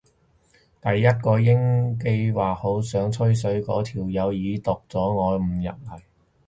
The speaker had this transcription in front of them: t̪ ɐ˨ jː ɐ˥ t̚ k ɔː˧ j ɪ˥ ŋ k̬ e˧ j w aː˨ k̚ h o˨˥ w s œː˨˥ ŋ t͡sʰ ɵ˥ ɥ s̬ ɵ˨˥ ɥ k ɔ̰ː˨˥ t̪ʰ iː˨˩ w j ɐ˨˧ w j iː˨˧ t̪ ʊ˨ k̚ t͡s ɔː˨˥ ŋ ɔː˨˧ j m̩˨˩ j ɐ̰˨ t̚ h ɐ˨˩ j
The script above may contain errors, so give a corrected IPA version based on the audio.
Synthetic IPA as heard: t̪ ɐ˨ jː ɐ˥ t̚ k ɔː˧ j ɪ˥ ŋ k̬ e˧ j w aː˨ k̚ h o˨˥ w s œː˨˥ ŋ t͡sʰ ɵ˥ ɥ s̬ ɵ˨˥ ɥ k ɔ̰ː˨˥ t̪ʰ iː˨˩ w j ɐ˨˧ w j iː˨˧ t̪ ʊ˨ k̚ t͡s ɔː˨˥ ŋ ɔː˨˧ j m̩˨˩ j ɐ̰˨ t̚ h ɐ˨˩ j